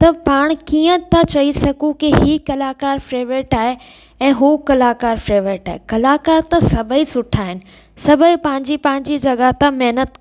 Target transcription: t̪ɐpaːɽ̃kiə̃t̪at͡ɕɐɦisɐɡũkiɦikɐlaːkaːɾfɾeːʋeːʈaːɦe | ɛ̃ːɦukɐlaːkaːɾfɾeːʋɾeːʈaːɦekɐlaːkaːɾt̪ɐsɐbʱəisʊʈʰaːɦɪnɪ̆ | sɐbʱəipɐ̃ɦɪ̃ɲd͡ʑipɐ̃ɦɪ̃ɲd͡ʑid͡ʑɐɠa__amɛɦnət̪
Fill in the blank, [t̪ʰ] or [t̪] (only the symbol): t̪